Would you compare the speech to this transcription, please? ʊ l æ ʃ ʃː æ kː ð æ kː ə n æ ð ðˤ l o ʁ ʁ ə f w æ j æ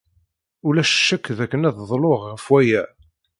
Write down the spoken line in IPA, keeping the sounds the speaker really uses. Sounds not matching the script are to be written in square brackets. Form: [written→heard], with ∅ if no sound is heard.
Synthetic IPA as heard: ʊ l æ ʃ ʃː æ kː ð æ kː ə n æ ð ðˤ l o ʁ ʁ ə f w æ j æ